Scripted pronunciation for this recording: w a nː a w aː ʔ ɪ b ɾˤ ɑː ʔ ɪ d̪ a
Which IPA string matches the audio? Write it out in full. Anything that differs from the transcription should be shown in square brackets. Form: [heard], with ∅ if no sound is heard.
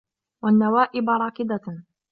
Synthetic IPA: w a nː a w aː ʔ ɪ b ɾˤ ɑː [k] ɪ d̪ a